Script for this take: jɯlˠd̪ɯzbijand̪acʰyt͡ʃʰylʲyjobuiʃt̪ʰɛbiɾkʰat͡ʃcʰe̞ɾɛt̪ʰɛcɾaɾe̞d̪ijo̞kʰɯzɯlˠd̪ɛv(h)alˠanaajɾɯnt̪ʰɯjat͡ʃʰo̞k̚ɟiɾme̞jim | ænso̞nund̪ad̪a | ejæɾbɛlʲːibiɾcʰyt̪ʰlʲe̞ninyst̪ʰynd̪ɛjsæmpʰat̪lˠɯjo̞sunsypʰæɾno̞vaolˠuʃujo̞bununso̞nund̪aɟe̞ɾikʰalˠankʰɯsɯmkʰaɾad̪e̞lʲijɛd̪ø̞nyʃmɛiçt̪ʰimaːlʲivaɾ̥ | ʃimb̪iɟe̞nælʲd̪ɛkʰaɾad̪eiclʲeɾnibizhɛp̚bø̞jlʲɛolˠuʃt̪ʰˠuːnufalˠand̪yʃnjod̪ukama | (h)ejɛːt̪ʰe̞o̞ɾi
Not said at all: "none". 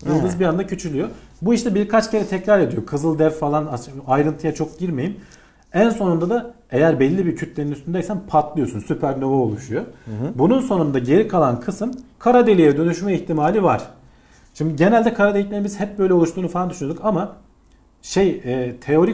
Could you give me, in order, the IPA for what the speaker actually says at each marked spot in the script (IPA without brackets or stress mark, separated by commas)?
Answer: f, ʃ